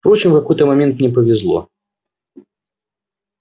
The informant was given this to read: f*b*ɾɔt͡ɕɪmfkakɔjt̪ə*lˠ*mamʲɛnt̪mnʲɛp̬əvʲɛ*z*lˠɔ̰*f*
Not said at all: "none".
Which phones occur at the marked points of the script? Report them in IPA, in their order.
p, none, z, none

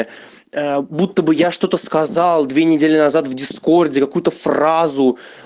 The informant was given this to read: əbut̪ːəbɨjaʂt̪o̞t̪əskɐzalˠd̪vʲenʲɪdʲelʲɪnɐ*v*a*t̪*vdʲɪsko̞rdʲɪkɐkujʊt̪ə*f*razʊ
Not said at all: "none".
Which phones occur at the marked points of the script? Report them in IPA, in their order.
z, t̪, f

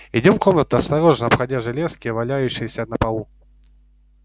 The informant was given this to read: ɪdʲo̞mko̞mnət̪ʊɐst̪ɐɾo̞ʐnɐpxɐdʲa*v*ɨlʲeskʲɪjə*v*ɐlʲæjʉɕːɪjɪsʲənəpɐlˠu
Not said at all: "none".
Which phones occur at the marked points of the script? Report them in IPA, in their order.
ʐ, v

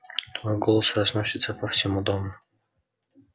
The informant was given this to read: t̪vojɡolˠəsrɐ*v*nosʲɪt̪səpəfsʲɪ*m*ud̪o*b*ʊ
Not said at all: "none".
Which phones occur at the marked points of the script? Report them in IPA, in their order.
z, m, m

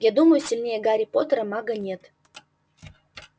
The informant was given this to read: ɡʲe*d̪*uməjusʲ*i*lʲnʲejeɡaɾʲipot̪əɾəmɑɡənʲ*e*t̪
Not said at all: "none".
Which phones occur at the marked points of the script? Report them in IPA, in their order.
d̪, i, e

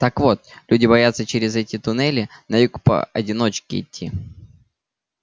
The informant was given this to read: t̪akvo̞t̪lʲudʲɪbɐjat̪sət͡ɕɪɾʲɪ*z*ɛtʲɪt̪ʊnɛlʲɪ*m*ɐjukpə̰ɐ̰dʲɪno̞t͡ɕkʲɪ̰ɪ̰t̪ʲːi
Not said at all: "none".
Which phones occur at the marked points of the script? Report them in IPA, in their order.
z, n

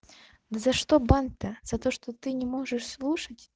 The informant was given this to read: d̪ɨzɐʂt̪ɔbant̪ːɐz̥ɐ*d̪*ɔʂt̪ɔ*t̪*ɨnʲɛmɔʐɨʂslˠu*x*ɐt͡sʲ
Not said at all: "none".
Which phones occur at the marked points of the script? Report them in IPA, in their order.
t̪, t̪, ʂ

